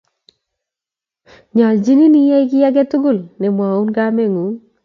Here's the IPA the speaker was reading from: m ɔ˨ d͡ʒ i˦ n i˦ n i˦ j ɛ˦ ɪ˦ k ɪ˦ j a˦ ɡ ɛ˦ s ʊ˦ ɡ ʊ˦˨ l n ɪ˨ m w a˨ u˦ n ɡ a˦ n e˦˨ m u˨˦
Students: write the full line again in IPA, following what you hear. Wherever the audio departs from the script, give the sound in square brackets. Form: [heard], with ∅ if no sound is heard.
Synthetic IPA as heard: [ɲ] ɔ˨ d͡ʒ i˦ n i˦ n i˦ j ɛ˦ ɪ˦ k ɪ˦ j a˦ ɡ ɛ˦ [t] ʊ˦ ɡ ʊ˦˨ l n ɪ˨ m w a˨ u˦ n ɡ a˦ [m] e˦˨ [ŋ] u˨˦

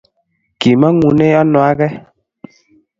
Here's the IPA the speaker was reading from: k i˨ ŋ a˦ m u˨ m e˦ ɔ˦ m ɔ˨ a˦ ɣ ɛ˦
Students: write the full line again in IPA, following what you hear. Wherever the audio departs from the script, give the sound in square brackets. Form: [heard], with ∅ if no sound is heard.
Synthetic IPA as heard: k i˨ [m] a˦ [ŋ] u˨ [n] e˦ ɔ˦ [n] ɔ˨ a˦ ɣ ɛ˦

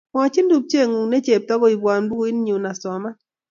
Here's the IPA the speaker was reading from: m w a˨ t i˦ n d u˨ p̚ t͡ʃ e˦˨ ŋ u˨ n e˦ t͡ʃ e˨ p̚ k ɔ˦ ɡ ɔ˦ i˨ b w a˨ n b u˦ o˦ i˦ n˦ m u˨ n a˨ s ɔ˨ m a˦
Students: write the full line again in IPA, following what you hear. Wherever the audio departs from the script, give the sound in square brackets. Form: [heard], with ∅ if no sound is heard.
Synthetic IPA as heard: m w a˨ [t͡ʃ] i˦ n d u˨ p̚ t͡ʃ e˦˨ ŋ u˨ n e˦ t͡ʃ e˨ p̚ [t] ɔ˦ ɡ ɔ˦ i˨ b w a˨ n b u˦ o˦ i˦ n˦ [ɲ] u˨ n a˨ s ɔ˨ m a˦

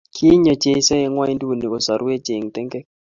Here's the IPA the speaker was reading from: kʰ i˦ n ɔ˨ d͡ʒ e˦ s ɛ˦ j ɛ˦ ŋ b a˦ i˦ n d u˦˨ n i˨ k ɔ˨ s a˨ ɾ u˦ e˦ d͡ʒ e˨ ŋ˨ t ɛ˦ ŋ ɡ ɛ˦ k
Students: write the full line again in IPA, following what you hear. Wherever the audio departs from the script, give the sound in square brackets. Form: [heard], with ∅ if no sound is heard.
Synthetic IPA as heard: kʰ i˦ [ɲ] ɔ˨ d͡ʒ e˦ s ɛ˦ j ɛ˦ ŋ [w] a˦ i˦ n d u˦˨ n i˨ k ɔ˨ s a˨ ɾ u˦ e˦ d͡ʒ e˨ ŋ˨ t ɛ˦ ŋ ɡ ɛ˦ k

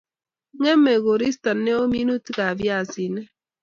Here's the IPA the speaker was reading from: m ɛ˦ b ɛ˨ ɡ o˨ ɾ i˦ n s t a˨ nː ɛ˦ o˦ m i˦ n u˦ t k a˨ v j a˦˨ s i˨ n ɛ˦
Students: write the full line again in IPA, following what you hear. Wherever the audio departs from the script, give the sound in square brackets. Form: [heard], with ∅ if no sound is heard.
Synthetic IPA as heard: [ŋ] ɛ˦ [m] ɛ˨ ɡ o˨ ɾ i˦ [∅] s t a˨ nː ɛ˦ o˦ m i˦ n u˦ t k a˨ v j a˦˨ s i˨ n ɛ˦

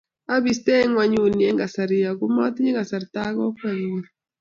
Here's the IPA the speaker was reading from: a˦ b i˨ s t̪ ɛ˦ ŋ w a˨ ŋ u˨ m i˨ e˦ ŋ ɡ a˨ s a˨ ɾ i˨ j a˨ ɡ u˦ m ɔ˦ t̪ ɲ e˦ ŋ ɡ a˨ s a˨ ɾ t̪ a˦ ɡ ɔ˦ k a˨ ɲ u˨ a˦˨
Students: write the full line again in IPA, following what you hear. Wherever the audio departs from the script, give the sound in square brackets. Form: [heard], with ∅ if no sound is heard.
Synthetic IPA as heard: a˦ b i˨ s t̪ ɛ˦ ŋ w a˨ [ɲ] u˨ [n] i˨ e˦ ŋ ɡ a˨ s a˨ ɾ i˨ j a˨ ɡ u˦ m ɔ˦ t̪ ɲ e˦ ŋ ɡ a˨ s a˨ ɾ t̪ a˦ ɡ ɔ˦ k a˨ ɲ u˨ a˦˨

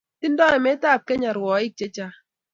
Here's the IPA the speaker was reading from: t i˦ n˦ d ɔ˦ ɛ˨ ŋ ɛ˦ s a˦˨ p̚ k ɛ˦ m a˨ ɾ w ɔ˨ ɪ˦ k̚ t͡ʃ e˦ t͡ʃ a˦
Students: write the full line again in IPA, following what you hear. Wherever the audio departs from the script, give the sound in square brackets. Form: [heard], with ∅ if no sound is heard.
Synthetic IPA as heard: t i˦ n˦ d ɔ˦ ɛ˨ [m] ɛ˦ [t] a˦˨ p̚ k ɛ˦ [ɲ] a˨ ɾ w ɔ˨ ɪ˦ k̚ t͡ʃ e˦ t͡ʃ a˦

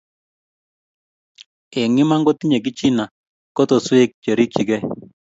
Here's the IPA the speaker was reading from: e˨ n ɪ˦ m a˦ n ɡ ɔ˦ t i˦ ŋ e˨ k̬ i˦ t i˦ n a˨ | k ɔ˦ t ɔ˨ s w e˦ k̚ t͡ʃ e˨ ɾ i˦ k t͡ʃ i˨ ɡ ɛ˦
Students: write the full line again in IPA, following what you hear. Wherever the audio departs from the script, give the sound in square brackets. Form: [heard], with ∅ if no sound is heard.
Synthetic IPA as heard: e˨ [ŋ] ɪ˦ m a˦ [ŋ] ɡ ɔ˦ t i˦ [ɲ] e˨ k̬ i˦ [t͡ʃ] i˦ n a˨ | k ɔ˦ t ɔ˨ s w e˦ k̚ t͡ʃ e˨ ɾ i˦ k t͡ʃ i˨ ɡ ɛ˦

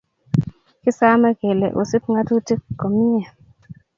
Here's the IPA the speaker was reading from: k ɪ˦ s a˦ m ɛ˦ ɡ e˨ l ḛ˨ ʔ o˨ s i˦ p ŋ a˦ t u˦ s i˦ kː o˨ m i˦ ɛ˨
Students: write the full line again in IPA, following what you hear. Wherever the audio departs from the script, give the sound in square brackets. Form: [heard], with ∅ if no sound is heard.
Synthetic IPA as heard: k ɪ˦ s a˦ m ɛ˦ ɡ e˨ l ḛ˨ ʔ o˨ s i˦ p ŋ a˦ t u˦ [t] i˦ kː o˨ m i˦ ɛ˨

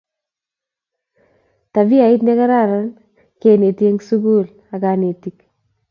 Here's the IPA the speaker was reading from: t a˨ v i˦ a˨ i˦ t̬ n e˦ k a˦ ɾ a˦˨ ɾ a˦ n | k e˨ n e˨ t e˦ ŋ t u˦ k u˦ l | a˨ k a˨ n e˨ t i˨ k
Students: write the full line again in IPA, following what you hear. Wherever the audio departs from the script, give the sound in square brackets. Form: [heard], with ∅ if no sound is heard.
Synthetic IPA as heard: t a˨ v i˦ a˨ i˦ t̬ n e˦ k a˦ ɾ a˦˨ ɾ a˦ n | k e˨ n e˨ t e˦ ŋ [s] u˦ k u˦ l | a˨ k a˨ n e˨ t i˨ k

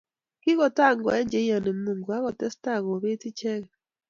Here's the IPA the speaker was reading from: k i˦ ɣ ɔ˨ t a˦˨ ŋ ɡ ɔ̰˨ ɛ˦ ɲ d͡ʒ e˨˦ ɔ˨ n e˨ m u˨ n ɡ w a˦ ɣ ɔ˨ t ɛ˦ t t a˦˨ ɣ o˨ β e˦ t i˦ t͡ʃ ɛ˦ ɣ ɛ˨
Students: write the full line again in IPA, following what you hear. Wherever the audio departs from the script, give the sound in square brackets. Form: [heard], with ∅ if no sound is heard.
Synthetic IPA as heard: k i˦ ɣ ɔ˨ t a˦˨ ŋ ɡ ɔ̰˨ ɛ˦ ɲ d͡ʒ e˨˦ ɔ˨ n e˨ m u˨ [ŋ] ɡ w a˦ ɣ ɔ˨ t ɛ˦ [s] t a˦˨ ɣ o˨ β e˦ t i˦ t͡ʃ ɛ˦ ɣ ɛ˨

